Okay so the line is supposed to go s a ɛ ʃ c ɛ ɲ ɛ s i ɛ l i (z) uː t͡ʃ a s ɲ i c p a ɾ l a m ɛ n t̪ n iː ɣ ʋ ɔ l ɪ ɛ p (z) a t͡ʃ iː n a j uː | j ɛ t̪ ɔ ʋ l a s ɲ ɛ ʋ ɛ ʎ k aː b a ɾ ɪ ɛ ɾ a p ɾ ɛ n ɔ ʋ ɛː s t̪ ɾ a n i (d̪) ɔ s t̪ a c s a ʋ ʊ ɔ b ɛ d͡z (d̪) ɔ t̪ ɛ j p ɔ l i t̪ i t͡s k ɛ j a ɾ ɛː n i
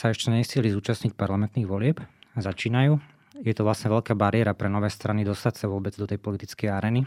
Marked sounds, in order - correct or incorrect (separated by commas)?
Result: correct, correct, correct, correct